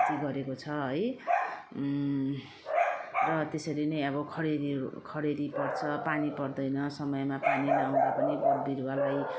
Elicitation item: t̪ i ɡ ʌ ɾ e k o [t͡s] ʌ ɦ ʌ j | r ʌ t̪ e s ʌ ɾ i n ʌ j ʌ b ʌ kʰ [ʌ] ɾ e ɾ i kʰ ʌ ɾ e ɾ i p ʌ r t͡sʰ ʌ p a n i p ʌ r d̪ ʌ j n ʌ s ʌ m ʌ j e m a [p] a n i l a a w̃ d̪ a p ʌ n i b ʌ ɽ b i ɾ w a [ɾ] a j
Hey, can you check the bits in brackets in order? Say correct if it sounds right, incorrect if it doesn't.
incorrect, correct, correct, incorrect

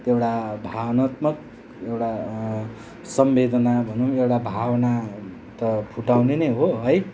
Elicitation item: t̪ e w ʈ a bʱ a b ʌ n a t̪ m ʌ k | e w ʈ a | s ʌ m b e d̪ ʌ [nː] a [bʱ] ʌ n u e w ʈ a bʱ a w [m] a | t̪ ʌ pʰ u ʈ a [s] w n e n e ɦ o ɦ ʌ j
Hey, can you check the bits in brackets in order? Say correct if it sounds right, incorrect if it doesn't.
incorrect, correct, incorrect, incorrect

